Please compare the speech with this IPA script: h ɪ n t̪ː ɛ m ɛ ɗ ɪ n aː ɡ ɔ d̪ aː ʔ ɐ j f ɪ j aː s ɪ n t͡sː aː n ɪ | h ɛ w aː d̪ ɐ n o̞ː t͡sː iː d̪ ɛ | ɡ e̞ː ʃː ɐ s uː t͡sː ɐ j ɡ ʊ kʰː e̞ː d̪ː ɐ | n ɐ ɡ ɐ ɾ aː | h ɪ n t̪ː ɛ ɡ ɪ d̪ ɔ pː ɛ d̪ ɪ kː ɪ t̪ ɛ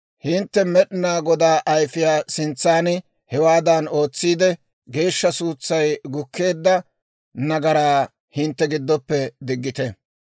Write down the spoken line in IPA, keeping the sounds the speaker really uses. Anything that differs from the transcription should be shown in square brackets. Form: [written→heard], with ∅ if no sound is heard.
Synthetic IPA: h ɪ n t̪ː ɛ m ɛ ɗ ɪ n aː ɡ ɔ d̪ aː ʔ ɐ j f ɪ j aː s ɪ n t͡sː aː n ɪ | h ɛ w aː d̪ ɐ n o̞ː t͡sː iː d̪ ɛ | ɡ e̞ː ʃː ɐ s uː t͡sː ɐ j ɡ ʊ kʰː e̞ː d̪ː ɐ | n ɐ ɡ ɐ ɾ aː | h ɪ n t̪ː ɛ ɡ ɪ [d̪→d̪ː] ɔ pː ɛ d̪ ɪ [kː→ɡː] ɪ t̪ ɛ